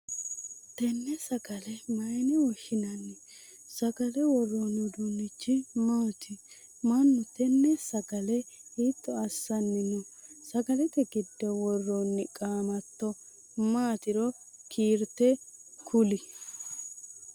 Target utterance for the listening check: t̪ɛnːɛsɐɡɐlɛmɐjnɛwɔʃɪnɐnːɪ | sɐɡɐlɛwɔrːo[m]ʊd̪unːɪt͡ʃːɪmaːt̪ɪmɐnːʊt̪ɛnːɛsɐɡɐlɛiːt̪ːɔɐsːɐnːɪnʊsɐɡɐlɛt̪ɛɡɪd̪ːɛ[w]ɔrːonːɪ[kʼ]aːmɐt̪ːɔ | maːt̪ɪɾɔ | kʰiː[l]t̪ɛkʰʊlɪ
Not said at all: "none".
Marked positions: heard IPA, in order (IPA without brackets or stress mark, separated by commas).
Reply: n, w, kʼ, ɾ